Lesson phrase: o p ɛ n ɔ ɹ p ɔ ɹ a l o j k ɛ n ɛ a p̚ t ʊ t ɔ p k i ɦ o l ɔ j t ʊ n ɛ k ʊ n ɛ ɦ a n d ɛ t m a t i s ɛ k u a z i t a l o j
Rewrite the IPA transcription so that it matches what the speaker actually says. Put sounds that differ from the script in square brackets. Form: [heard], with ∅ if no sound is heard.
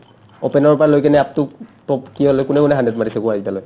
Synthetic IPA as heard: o p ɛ n ɔ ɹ p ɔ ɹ a l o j k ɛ n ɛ a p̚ t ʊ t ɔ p k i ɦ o l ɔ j [k] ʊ n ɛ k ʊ n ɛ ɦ a n d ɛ t m a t i s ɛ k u a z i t a l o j